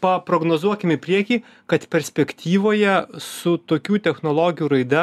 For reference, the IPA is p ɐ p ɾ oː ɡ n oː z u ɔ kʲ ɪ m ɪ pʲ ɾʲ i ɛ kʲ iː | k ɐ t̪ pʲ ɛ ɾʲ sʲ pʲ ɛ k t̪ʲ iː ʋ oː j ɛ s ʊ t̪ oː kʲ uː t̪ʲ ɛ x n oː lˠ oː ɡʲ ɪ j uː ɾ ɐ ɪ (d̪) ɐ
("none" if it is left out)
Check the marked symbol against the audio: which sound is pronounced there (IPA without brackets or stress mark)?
d̪